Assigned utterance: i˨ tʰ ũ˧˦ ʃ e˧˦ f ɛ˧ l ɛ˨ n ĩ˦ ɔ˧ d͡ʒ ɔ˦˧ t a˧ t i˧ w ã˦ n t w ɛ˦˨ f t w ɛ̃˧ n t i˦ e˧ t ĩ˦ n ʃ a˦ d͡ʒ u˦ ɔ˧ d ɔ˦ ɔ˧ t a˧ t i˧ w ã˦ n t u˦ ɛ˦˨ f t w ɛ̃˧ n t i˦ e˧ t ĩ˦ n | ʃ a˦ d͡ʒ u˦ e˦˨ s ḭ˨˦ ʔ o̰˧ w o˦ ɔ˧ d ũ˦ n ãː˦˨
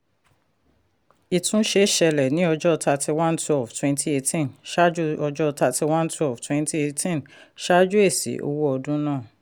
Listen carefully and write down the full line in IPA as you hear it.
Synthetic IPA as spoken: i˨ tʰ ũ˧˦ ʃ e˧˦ ʃ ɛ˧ l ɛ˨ n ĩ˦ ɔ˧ d͡ʒ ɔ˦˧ t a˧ t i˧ w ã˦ n t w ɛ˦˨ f t w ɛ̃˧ n t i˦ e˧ t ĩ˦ n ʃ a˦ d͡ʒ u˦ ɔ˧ d͡ʒ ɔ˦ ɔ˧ t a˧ t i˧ w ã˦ n t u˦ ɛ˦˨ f t w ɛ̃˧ n t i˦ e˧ t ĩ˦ n | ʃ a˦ d͡ʒ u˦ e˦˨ s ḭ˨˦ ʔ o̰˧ w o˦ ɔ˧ d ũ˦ n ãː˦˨